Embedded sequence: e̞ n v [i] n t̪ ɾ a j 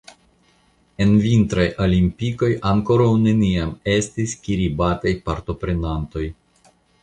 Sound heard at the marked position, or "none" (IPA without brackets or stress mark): i